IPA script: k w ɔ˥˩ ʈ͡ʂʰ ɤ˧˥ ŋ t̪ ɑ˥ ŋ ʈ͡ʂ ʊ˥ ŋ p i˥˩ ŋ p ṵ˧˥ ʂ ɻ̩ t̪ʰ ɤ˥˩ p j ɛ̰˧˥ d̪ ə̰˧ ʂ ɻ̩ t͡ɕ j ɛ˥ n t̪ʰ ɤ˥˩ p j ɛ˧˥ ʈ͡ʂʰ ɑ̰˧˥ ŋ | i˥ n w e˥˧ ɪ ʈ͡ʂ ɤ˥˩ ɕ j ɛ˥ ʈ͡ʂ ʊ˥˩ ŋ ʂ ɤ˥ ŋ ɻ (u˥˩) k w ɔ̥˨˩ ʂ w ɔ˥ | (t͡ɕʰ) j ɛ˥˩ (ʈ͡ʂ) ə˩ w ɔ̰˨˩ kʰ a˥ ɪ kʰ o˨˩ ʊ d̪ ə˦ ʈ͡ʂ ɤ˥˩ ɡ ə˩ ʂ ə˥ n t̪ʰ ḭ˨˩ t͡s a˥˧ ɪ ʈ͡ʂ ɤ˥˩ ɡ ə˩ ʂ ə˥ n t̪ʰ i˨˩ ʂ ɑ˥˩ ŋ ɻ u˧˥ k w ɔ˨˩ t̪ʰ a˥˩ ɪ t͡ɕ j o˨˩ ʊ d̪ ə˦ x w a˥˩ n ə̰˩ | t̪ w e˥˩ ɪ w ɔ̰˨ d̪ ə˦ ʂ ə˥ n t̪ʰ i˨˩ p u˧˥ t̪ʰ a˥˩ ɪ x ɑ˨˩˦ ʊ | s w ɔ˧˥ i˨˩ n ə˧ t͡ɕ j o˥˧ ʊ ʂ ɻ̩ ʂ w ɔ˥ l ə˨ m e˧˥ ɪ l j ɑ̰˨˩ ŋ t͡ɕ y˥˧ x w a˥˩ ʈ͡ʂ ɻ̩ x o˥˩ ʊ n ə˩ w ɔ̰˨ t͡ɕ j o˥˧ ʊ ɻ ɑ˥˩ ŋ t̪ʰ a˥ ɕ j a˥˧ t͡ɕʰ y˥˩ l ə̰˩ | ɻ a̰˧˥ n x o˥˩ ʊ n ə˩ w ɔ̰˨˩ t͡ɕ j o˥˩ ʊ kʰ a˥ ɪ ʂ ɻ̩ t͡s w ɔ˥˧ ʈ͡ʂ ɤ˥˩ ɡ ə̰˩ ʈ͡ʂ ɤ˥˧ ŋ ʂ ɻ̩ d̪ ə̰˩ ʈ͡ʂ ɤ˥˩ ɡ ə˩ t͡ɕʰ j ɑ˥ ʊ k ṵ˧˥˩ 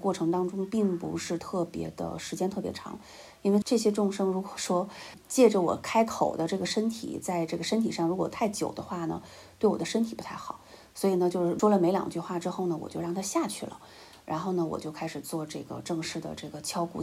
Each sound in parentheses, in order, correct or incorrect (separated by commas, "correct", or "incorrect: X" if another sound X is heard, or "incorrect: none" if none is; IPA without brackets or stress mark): incorrect: u˧˥, incorrect: t͡ɕ, correct